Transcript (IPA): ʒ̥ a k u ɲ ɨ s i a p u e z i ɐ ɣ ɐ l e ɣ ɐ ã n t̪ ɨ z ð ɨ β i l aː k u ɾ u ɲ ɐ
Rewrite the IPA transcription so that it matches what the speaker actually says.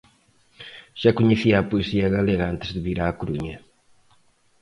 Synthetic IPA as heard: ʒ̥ a k u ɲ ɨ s i a p u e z i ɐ ɣ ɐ l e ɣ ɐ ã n t̪ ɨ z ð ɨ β i ɾ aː k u ɾ u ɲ ɐ

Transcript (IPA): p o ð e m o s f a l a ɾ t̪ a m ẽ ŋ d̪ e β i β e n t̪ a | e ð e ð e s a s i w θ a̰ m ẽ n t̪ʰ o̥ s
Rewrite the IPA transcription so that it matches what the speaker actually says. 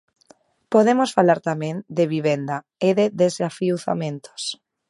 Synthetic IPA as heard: p o ð e m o s f a l a ɾ t̪ a m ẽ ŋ d̪ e β i β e n d̪ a | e ð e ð e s a f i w θ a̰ m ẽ n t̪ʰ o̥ s

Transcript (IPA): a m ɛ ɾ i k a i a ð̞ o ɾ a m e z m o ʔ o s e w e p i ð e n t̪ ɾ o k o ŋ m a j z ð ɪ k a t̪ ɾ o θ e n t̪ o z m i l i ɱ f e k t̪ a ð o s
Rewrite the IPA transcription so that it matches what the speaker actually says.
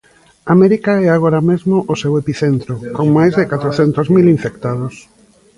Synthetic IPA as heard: a m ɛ ɾ i k a ɛ a ɣ̞ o ɾ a m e z m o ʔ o s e w e p i θ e n t̪ ɾ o k o ŋ m a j z ð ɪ k a t̪ ɾ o θ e n t̪ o z m i l i ɱ f e k t̪ a ð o s

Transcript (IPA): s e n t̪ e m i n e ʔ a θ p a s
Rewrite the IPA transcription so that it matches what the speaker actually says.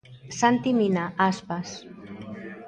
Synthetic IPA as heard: s a n t̪ i m i n a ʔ a s p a s

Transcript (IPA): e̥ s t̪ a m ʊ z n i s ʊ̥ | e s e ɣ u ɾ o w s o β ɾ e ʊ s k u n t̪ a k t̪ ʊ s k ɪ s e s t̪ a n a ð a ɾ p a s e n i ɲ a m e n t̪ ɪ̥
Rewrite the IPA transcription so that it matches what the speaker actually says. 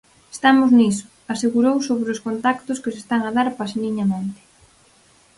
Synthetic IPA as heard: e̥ s t̪ a m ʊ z n i s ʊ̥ | a s e ɣ u ɾ o w s o β ɾ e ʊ s k o n t̪ a k t̪ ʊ s k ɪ s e s t̪ a ŋ a ð a ɾ p a s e n i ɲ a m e n t̪ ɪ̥

